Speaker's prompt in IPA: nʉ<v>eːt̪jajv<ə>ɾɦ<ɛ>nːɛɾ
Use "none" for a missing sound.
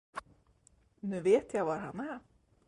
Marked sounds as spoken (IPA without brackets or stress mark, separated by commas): v, a, a